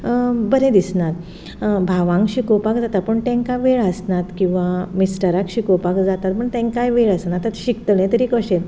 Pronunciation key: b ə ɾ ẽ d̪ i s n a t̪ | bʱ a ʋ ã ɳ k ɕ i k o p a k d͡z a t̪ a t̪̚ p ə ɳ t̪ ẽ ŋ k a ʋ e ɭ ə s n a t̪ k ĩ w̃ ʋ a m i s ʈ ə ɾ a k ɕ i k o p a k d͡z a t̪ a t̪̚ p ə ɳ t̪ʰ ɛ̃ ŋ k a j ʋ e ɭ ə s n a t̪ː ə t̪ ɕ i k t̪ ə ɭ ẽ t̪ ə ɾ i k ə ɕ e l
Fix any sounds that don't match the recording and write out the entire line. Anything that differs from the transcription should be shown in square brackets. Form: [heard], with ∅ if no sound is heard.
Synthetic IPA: b ə ɾ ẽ d̪ i s n a t̪ | bʱ a ʋ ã [ŋ] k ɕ i k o p a k d͡z a t̪ a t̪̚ p ə ɳ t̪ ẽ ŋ k a ʋ e ɭ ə s n a t̪ k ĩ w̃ ʋ a m i s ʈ ə ɾ a k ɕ i k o p a k d͡z a t̪ a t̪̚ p ə ɳ [t̪] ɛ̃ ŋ k a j ʋ e ɭ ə s n a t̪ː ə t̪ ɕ i k t̪ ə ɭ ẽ t̪ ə ɾ i k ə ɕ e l